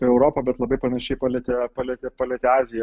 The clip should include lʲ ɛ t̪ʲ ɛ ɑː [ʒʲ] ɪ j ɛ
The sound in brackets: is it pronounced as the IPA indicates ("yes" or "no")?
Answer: no